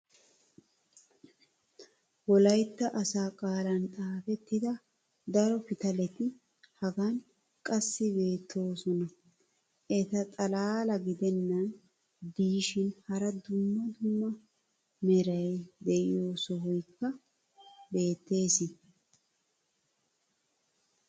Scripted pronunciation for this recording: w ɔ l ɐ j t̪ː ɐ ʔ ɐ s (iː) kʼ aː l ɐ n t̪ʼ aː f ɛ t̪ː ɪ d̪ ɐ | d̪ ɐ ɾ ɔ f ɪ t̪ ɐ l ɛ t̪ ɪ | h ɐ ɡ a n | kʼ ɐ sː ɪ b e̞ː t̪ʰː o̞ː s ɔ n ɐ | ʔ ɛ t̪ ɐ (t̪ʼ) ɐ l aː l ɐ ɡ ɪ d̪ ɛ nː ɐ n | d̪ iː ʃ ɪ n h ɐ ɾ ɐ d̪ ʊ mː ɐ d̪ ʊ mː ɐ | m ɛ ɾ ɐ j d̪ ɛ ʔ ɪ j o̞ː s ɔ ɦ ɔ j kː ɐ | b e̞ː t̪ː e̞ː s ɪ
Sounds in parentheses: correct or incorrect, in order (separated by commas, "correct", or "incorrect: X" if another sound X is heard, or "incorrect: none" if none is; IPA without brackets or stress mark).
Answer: incorrect: aː, correct